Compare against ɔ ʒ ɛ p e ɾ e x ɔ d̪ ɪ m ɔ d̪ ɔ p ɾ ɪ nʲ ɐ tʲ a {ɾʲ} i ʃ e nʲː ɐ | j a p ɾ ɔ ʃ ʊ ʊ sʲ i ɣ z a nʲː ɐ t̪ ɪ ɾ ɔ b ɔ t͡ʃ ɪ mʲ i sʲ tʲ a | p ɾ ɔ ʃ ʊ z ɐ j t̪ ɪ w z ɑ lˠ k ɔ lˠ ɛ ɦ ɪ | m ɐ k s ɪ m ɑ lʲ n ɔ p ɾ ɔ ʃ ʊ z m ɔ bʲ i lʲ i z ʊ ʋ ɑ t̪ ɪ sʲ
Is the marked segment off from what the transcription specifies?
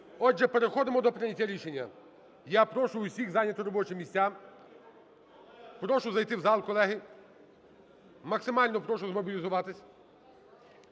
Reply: no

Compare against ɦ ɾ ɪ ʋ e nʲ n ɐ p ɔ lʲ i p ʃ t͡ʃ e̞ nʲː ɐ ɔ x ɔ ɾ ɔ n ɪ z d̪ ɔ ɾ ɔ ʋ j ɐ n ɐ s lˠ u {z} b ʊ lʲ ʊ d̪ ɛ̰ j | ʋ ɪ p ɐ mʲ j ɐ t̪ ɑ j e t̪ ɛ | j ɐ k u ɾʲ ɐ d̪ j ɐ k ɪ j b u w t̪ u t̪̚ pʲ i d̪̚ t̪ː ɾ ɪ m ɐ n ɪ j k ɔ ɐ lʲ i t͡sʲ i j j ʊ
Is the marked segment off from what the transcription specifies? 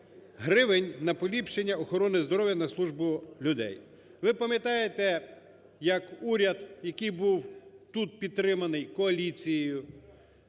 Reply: yes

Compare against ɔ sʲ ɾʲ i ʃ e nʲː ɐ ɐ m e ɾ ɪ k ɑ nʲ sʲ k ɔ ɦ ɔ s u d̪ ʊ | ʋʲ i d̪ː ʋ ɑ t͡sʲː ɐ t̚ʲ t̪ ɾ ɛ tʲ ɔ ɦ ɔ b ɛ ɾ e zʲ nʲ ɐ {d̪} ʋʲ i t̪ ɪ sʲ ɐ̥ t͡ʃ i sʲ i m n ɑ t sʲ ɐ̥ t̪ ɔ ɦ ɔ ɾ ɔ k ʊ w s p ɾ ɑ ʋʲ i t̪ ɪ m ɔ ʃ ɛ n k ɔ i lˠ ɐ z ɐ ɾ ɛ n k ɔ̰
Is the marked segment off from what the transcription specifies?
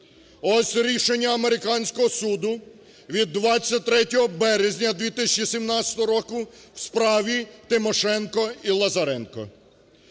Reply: no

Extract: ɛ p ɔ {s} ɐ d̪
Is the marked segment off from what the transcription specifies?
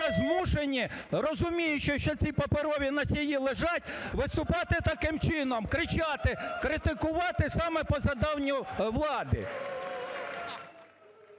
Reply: yes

